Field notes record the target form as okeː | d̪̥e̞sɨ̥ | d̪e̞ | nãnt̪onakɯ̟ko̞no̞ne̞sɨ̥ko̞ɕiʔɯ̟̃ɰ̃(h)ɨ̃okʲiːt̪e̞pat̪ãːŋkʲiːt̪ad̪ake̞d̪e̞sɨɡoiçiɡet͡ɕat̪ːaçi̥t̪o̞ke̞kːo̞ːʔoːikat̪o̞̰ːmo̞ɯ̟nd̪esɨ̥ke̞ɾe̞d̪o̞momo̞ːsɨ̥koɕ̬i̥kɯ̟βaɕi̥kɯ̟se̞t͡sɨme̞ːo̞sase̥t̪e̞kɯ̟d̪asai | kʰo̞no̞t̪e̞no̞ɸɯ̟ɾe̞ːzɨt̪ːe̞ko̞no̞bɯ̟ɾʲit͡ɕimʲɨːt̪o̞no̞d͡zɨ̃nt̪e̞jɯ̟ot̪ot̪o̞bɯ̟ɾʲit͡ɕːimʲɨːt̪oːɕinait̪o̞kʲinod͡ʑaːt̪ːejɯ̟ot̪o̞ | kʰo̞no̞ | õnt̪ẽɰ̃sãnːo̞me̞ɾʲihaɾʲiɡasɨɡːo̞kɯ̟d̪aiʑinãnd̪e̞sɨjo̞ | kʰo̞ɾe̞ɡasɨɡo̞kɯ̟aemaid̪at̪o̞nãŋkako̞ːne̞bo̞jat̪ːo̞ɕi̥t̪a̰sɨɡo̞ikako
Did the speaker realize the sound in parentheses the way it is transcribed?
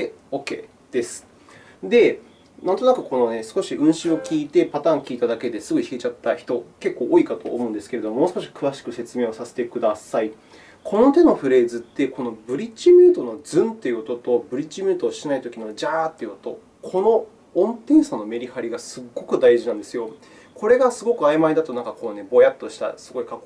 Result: no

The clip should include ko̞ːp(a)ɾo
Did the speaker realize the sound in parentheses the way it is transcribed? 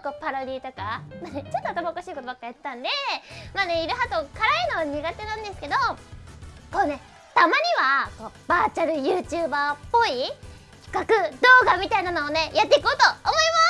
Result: yes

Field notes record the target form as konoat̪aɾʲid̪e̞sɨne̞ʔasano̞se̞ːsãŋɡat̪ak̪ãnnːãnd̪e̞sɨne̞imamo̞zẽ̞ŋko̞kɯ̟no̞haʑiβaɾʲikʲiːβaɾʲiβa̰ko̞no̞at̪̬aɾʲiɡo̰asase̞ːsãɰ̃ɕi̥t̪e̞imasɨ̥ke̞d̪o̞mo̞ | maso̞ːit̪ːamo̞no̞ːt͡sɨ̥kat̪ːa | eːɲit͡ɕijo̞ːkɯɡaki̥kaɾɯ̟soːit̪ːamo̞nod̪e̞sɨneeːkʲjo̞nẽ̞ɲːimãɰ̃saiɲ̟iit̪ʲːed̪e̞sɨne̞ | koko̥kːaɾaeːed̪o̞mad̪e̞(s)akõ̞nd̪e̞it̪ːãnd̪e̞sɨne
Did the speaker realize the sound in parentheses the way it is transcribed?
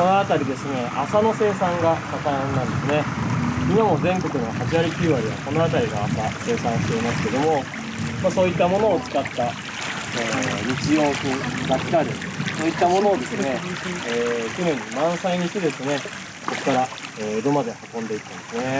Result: no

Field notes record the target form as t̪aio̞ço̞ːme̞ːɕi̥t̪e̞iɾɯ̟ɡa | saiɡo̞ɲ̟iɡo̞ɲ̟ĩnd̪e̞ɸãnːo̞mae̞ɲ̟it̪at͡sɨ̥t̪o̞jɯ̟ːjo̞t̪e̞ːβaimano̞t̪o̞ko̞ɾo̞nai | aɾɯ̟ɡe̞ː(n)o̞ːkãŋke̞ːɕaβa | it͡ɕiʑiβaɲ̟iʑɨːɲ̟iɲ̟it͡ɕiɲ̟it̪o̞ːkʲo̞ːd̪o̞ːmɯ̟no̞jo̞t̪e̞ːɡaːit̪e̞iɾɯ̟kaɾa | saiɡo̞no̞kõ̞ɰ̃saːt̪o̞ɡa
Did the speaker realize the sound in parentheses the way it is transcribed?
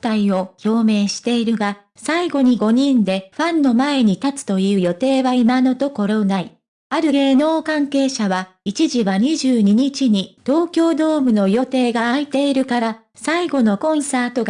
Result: yes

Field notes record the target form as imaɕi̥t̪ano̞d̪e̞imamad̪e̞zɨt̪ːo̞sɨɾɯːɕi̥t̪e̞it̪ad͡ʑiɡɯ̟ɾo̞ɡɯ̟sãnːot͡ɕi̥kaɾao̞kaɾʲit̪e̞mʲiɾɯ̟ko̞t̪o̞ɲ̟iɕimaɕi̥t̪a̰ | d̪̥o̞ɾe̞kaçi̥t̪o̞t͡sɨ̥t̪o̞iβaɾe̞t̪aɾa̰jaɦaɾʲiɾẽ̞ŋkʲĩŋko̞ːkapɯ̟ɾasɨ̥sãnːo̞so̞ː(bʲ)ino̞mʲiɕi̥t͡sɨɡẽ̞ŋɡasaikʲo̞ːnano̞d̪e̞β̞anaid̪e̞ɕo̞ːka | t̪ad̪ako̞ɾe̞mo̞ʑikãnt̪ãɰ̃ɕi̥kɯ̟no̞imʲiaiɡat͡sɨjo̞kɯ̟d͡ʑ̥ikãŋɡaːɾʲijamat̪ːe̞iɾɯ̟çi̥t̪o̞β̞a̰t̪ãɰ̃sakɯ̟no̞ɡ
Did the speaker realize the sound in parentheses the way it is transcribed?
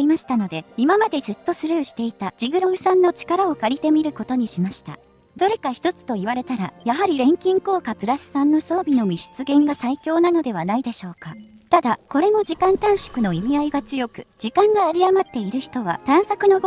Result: yes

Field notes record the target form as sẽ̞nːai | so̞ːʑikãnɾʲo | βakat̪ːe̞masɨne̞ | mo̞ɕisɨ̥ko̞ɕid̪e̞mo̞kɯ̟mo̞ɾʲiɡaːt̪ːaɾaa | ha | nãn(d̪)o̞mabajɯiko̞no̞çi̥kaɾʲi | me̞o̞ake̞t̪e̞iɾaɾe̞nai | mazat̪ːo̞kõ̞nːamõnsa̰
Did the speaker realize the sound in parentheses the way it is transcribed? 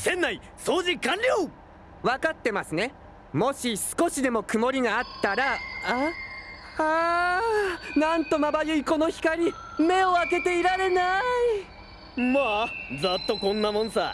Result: no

